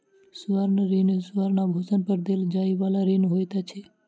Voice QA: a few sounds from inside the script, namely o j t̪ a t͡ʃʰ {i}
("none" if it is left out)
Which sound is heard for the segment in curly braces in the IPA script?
e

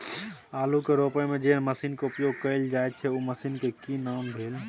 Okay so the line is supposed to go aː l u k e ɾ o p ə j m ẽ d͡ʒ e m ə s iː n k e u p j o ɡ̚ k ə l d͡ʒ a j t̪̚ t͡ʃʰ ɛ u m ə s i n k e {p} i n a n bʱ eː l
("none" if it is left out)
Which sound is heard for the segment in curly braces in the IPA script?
k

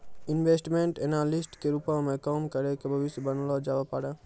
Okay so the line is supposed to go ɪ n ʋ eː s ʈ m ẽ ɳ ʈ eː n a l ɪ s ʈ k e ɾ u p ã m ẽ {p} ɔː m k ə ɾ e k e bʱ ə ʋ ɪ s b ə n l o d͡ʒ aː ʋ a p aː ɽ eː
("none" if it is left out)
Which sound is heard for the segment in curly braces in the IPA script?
k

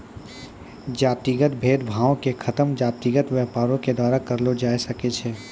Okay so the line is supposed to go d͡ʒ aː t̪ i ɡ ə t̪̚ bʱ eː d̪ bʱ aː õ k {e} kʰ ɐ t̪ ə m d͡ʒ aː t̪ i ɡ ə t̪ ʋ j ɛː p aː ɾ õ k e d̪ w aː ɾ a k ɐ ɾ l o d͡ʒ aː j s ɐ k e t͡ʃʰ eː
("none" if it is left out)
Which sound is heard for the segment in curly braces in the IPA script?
e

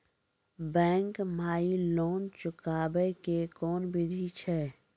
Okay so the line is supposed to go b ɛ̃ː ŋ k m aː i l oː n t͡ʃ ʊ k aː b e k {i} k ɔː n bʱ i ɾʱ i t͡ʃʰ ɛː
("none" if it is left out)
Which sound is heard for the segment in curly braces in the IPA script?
e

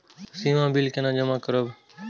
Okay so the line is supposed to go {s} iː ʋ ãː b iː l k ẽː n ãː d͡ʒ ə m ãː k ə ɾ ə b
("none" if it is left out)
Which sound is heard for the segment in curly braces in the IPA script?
s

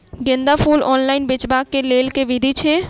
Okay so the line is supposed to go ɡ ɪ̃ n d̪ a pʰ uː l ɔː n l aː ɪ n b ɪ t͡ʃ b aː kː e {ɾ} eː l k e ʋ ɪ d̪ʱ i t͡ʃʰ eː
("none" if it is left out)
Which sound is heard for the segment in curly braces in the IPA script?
l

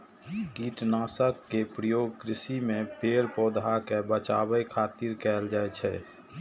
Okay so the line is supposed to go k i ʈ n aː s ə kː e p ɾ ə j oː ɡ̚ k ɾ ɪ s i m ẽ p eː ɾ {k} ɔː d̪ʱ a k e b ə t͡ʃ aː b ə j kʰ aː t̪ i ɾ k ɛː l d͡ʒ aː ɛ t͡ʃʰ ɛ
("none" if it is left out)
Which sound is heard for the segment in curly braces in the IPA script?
p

